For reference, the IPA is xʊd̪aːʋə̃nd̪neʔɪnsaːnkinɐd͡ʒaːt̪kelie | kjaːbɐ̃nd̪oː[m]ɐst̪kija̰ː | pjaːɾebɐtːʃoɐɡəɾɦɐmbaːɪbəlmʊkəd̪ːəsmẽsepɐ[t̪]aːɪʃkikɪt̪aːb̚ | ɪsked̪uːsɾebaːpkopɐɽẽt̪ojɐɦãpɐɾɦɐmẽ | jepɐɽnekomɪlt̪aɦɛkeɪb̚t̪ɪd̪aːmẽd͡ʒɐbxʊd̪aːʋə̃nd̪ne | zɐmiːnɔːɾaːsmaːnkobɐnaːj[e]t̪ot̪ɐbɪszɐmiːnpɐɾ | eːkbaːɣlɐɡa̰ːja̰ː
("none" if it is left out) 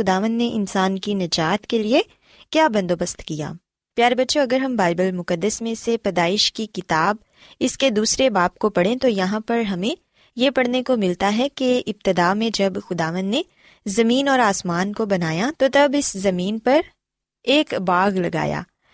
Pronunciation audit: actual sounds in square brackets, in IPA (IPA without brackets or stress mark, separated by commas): b, d̪, a